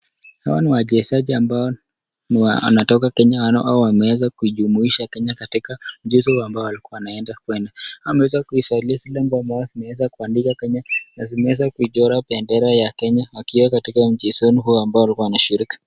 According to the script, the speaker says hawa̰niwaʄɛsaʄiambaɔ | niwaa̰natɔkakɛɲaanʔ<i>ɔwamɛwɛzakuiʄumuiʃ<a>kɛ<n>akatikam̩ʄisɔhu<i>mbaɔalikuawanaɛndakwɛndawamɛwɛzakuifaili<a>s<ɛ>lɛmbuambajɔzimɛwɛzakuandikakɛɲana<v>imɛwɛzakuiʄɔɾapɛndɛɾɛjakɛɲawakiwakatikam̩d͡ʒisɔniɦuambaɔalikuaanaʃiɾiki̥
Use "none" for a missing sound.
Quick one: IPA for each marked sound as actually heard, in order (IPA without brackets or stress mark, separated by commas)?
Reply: a, a, ɲ, a, a, i, z